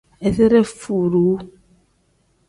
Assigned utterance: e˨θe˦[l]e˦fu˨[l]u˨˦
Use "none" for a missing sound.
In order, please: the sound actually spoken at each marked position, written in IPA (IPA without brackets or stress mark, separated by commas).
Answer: ɾ, ɾ